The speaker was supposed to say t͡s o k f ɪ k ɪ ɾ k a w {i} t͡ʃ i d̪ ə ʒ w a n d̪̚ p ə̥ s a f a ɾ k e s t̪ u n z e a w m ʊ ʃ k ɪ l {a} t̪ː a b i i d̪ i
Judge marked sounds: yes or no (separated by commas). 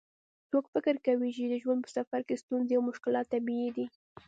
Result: yes, no